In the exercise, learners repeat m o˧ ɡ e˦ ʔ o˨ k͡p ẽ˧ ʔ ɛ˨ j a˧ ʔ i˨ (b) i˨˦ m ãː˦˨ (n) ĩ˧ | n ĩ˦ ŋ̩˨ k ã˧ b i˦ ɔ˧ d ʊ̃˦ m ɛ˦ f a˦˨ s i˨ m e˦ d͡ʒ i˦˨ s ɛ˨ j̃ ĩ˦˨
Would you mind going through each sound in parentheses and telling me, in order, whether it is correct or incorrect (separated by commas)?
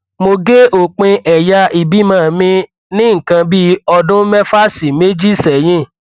correct, incorrect